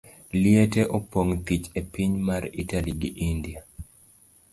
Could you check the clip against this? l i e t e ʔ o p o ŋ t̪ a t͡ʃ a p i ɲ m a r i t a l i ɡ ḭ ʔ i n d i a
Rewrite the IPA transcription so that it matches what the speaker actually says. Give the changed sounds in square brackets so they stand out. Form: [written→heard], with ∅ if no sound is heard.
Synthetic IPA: l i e t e ʔ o p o ŋ t̪ [a→i] t͡ʃ [a→e] p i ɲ m a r i t a l i ɡ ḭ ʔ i n d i a